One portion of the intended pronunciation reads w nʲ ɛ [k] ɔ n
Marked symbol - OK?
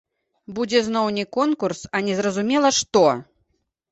yes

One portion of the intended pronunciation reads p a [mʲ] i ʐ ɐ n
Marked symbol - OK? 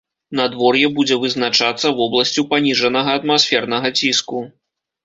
no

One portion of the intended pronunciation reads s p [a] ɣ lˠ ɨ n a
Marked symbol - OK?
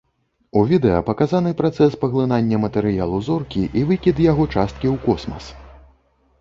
no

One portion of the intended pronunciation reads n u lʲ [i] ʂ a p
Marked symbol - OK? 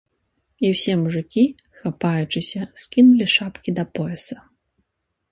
yes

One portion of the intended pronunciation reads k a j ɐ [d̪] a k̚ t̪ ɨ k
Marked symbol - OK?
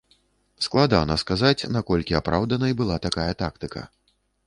no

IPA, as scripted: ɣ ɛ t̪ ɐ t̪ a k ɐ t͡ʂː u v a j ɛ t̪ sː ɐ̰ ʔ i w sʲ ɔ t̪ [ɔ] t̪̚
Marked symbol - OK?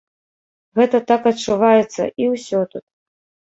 no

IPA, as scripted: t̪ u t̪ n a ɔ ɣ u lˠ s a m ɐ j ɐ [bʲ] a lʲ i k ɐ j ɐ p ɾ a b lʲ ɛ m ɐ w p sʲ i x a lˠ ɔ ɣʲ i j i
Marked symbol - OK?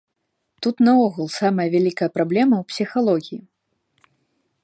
no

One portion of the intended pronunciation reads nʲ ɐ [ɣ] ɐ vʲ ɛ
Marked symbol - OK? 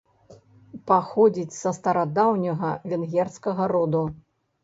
yes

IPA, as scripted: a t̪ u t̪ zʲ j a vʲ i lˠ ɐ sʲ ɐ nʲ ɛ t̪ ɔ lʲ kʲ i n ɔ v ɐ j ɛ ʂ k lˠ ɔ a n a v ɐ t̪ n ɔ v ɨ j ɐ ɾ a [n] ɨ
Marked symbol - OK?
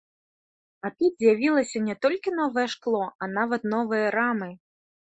no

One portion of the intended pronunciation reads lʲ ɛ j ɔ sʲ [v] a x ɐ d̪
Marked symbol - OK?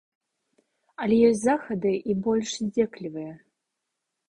no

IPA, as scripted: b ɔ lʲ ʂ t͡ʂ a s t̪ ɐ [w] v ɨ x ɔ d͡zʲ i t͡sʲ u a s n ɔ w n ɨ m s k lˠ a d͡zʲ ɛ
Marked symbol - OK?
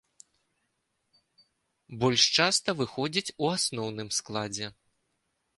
no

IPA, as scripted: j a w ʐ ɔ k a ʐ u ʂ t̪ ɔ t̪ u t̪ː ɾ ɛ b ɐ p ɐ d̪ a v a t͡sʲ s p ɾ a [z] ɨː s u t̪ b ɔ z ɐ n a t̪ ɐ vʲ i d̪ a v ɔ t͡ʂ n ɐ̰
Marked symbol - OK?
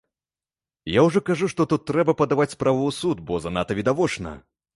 no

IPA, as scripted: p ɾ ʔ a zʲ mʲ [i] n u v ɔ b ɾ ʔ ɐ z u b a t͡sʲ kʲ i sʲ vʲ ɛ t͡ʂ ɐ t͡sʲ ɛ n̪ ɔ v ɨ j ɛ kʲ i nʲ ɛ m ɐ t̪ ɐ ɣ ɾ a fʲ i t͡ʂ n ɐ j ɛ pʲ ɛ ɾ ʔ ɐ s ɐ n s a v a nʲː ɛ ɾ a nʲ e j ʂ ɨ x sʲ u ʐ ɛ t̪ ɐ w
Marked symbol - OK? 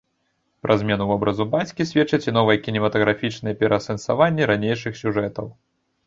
no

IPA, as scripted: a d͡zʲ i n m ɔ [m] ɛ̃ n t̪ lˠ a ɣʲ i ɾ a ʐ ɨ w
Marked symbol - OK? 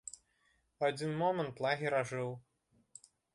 yes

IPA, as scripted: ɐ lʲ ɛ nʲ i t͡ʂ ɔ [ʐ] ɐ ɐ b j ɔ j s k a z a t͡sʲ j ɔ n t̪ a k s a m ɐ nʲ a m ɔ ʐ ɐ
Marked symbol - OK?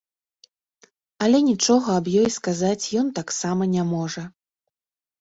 no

